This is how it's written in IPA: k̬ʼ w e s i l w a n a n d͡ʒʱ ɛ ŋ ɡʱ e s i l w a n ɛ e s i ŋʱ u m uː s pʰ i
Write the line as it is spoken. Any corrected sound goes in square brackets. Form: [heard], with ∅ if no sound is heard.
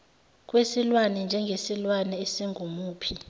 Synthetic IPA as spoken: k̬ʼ w e s i l w a n [ɛ] n d͡ʒʱ ɛ ŋ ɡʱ e s i l w a n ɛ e s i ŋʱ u m uː [∅] pʰ i